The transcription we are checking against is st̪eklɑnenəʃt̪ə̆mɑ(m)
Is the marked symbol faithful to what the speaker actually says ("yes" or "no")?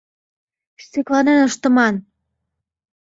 no